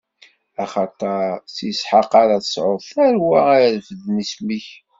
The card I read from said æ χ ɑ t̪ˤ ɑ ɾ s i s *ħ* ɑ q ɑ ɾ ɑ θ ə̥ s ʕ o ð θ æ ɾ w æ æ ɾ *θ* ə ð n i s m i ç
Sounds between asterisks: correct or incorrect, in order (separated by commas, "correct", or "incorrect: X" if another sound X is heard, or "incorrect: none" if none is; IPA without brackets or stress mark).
correct, incorrect: f